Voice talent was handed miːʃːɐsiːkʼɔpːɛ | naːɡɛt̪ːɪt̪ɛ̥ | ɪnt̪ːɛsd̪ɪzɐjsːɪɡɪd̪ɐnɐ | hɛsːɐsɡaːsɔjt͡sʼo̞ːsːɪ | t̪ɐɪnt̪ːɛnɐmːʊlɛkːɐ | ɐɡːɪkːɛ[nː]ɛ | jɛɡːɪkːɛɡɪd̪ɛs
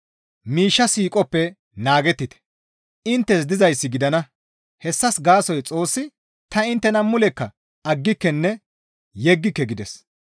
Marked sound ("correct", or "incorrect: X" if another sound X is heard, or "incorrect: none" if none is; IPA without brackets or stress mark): correct